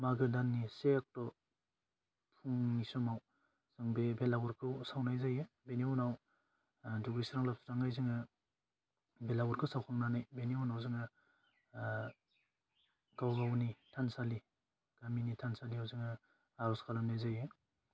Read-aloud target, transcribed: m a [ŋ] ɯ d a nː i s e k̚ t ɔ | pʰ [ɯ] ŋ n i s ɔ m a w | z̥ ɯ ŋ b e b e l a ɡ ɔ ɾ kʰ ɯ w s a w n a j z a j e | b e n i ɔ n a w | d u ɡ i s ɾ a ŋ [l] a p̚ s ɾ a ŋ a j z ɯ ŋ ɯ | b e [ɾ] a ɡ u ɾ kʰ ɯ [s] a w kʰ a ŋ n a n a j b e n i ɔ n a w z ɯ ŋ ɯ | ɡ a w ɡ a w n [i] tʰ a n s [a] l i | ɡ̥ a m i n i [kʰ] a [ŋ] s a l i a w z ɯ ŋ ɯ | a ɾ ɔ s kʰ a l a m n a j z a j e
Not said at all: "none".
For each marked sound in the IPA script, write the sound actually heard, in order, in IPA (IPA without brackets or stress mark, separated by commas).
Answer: ɡ, u, l, l, s, i, a, tʰ, n